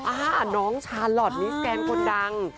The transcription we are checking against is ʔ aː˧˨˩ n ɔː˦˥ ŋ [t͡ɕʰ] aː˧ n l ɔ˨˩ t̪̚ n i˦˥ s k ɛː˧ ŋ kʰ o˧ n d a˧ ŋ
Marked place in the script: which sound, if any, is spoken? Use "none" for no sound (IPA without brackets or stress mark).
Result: t͡ɕʰ